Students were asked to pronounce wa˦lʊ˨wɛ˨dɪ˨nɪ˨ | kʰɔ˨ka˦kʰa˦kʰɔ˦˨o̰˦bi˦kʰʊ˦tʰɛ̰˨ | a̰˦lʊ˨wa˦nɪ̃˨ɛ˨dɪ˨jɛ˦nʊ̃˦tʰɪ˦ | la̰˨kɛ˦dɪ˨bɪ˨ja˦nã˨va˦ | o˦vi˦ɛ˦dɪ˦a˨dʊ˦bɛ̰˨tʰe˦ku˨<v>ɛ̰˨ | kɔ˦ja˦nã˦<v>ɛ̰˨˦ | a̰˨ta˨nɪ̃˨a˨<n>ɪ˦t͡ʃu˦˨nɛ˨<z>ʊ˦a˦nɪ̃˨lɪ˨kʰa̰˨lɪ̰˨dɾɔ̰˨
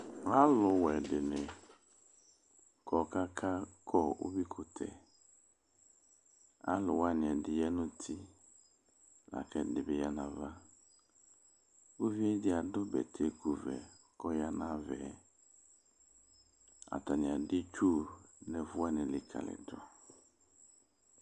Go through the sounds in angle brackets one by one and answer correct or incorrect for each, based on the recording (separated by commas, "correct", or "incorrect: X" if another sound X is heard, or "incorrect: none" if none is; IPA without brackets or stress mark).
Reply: correct, correct, incorrect: d, incorrect: v